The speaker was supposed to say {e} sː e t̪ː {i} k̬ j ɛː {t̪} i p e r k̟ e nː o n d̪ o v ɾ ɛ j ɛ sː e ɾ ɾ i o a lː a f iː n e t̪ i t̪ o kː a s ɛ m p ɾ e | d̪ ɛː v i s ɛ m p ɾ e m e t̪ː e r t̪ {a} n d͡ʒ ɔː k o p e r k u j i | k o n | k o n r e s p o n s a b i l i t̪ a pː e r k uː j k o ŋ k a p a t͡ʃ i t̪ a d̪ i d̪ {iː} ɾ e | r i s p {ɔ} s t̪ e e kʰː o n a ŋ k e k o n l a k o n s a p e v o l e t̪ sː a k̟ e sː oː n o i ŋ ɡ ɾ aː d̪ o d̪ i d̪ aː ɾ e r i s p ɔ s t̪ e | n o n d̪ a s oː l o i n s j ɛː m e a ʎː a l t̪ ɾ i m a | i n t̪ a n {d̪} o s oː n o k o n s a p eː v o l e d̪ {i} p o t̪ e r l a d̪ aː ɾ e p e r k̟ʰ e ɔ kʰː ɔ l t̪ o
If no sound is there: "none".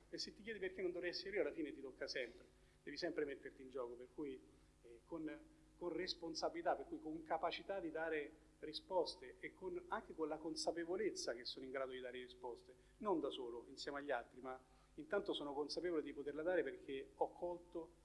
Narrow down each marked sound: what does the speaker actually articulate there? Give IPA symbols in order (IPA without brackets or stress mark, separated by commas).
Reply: e, i, d̪, i, aː, ɔ, t̪, i